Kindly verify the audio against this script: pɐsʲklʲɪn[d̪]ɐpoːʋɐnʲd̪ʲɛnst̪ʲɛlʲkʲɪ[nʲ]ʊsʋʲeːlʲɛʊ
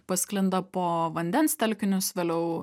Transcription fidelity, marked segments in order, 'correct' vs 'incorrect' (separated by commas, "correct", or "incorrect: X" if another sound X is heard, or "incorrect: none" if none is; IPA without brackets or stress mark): correct, correct